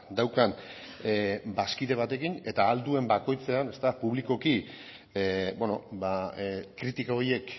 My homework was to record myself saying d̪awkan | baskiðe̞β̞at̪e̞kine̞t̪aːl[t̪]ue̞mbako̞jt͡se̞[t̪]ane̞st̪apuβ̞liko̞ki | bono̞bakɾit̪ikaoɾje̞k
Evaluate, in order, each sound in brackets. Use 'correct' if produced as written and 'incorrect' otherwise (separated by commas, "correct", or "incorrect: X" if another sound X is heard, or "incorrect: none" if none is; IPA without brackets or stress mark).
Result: incorrect: d̪, incorrect: none